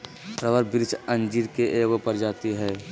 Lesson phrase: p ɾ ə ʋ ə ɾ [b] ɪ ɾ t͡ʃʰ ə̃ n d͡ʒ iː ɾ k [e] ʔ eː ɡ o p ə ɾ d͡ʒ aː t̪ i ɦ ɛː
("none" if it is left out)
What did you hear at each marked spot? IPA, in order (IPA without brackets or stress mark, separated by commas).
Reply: b, e